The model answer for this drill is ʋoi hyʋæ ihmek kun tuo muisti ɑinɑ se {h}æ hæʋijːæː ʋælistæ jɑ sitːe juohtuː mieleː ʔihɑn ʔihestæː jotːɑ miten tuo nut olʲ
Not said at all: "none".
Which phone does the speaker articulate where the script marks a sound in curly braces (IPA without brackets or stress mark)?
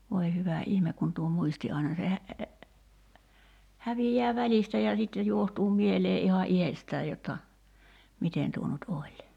h